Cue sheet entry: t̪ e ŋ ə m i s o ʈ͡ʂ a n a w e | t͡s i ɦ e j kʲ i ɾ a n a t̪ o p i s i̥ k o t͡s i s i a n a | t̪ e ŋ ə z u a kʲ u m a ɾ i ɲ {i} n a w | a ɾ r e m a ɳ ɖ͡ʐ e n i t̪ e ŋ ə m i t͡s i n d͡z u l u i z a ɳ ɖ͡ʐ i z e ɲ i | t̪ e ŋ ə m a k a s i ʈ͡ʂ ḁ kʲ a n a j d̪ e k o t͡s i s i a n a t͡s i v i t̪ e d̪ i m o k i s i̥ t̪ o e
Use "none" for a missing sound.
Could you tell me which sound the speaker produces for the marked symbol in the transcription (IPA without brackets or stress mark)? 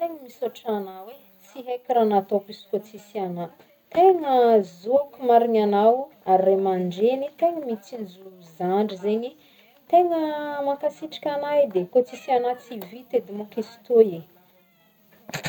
a